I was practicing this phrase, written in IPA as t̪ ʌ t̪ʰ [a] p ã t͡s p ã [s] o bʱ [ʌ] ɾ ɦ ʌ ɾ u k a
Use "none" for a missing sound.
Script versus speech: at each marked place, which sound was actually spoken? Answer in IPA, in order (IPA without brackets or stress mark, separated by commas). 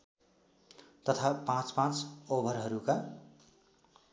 a, t͡s, ʌ